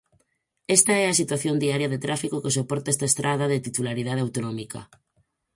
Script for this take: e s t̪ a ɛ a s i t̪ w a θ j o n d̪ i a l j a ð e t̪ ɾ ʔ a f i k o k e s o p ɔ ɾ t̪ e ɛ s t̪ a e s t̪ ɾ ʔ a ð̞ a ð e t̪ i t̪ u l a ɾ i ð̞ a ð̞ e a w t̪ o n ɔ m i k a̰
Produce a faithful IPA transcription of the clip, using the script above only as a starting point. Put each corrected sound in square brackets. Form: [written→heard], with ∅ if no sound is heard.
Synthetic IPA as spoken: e s t̪ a ɛ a s i t̪ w a θ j o n d̪ i a [l→ɾ] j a ð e t̪ ɾ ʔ a f i k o k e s o p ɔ ɾ t̪ [e→a] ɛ s t̪ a e s t̪ ɾ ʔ a ð̞ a ð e t̪ i t̪ u l a ɾ i ð̞ a ð̞ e a w t̪ o n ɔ m i k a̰

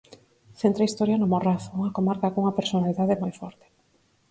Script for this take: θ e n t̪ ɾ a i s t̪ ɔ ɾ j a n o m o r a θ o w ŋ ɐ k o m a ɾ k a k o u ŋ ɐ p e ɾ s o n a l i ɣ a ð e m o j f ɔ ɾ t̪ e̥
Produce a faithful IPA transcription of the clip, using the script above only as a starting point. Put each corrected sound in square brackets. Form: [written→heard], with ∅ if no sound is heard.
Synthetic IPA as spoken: θ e n t̪ ɾ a i s t̪ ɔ ɾ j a n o m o r a θ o [w→u] ŋ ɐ k o m a ɾ k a k o u ŋ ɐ p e ɾ s o n a l i [ɣ→ð] a ð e m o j f ɔ ɾ t̪ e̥

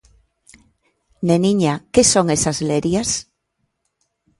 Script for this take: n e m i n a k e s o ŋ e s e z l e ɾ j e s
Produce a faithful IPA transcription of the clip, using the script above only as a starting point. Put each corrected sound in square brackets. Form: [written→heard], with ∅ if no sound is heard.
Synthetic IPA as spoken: n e [m→n] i [n→ɲ] a k e s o ŋ e s [e→a] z l e ɾ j [e→a] s

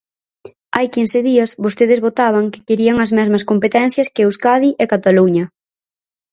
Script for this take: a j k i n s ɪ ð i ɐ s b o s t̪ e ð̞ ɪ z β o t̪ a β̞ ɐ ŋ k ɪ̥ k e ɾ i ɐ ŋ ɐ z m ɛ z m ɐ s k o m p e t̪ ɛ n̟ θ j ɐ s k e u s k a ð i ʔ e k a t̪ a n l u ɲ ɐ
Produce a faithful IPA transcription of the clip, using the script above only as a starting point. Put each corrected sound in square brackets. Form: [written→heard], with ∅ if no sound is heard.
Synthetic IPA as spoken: a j k i n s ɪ ð i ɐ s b o s t̪ e ð̞ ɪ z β o t̪ a β̞ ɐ ŋ k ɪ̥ k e ɾ i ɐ ŋ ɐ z m ɛ z m ɐ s k o m p e t̪ ɛ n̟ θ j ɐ s k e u s k a ð i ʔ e k a t̪ a [n→∅] l u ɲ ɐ

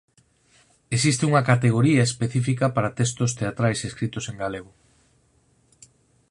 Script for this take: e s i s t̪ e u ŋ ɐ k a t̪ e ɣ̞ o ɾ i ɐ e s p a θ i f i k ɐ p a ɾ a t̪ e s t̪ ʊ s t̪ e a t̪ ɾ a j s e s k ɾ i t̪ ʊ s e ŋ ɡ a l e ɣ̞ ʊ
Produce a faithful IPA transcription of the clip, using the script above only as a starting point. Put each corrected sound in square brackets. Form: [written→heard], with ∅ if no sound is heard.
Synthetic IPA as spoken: e s i s t̪ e u ŋ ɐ k a t̪ e ɣ̞ o ɾ i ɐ e s p [a→e] θ i f i k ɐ p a ɾ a t̪ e s t̪ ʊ s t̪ e a t̪ ɾ a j s e s k ɾ i t̪ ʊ s e ŋ ɡ a l e ɣ̞ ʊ

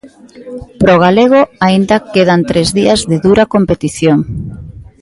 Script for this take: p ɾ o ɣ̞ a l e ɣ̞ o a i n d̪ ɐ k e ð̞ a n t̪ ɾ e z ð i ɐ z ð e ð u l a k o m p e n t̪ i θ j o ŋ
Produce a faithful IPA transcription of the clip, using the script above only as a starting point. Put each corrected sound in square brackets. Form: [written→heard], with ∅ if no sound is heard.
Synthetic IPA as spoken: p ɾ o ɣ̞ a l e ɣ̞ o a i n d̪ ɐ k e ð̞ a n t̪ ɾ e z ð i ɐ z ð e ð u [l→ɾ] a k o m p e [n→∅] t̪ i θ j o ŋ

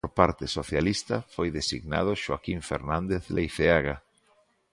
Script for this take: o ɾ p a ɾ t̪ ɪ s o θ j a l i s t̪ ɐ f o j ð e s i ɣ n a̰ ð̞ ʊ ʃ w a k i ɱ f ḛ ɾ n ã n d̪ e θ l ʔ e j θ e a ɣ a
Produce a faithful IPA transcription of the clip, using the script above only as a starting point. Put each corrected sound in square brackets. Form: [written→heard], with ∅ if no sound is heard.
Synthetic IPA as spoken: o ɾ p a ɾ t̪ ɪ s o θ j a l i s t̪ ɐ f o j ð e s i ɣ n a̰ ð̞ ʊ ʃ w a k i ɱ f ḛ ɾ n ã n d̪ e θ l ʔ e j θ e a ɣ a

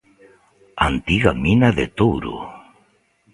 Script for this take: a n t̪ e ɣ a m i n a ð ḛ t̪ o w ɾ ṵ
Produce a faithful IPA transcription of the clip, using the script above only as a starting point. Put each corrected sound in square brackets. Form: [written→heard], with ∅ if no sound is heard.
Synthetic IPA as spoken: a n t̪ [e→i] ɣ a m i n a ð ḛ t̪ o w ɾ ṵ

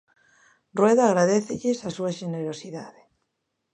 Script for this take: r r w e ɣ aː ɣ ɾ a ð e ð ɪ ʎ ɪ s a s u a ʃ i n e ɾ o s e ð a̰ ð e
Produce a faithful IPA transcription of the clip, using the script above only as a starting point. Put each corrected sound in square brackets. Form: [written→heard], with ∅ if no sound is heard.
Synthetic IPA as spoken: r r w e [ɣ→ð] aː ɣ ɾ a ð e [ð→θ] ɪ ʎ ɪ s a s u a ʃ [i→e] n e ɾ o s [e→i] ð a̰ ð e

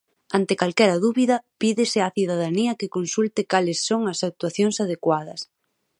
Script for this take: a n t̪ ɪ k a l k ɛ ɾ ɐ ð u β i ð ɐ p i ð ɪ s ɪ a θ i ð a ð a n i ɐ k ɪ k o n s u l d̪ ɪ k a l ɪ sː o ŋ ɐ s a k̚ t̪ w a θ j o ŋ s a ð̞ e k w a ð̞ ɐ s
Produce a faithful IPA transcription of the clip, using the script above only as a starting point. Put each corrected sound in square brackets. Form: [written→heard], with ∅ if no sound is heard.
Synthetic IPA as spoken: a n t̪ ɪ k a l k ɛ ɾ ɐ ð u β i ð ɐ p i ð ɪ s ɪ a θ i ð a ð a n i ɐ k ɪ k o n s u l [d̪→t̪] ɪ k a l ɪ sː o ŋ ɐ s a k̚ t̪ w a θ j o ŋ s a ð̞ e k w a ð̞ ɐ s

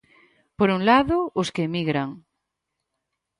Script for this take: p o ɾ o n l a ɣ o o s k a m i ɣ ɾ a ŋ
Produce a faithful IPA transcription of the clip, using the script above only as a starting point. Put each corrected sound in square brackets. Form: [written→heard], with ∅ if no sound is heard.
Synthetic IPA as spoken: p o ɾ [o→u] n l a [ɣ→ð] o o s k [a→e] m i ɣ ɾ a ŋ

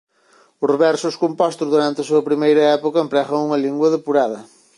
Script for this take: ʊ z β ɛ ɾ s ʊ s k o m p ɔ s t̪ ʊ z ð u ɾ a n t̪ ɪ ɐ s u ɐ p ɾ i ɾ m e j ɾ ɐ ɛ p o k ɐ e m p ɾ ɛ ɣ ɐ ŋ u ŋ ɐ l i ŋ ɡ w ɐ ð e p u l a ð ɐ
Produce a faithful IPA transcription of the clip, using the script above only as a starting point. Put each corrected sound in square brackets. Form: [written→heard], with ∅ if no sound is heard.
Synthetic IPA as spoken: ʊ z β ɛ ɾ s ʊ s k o m p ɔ s t̪ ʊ z ð u ɾ a n t̪ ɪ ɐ s u ɐ p ɾ i [ɾ→∅] m e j ɾ ɐ ɛ p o k ɐ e m p ɾ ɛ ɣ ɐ ŋ u ŋ ɐ l i ŋ ɡ w ɐ ð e p u [l→ɾ] a ð ɐ

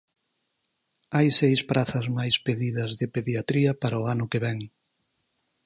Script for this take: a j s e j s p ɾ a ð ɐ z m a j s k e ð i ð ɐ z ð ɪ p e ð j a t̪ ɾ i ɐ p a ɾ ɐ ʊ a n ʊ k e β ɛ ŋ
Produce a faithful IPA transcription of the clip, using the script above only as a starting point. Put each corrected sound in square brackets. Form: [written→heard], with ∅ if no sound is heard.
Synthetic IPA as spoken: a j s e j s p ɾ a [ð→θ] ɐ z m a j s [k→p] e ð i ð ɐ z ð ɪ p e ð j a t̪ ɾ i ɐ p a ɾ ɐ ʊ a n ʊ k e β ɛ ŋ

